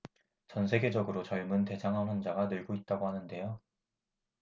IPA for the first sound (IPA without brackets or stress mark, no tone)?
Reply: t͡ɕ